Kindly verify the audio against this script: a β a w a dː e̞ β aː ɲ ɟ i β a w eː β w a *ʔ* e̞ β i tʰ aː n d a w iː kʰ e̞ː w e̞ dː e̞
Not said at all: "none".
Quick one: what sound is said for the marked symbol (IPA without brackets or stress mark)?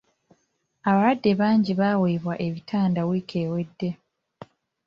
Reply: ʔ